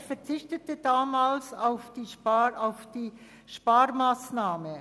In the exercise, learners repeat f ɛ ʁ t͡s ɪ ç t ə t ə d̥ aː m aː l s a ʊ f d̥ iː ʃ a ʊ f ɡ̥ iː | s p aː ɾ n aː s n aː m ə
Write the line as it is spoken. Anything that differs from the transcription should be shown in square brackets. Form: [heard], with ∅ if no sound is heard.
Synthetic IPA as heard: f ɛ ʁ t͡s ɪ ç t ə t ə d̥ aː m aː l s a ʊ f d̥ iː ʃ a ʊ f [d̥] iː | [ʃ] p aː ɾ [m] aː s n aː m ə